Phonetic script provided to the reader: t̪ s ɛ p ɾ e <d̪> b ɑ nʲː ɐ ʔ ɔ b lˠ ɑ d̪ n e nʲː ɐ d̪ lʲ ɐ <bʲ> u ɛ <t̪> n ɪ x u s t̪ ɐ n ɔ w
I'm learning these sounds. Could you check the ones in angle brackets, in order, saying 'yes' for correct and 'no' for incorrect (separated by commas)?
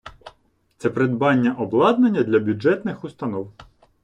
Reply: yes, yes, yes